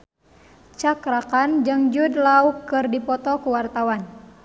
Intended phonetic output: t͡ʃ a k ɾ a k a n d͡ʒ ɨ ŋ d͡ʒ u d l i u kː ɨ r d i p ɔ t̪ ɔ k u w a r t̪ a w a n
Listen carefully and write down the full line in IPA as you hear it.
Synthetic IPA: t͡ʃ a k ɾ a k a n d͡ʒ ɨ ŋ d͡ʒ u d l a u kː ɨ r d i p ɔ t̪ ɔ k u w a r t̪ a w a n